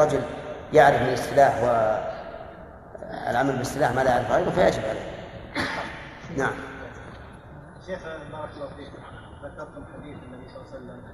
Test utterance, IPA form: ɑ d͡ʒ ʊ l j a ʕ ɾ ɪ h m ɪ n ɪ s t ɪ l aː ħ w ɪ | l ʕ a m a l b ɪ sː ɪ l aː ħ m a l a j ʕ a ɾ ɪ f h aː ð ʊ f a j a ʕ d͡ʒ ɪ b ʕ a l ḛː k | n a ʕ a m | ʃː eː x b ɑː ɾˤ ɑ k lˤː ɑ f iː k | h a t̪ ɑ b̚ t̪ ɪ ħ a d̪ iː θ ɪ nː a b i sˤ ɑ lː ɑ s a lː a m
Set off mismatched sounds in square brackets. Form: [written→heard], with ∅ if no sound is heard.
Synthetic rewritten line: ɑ d͡ʒ ʊ l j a ʕ ɾ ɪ [h→f] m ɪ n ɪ s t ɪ l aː ħ w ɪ | l ʕ a m a l b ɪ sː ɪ l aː ħ m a l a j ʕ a ɾ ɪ f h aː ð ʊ f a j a ʕ d͡ʒ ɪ b ʕ a l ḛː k | n a ʕ a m | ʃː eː x b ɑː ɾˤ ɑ k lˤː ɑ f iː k | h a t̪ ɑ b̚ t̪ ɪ ħ a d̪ iː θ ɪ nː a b i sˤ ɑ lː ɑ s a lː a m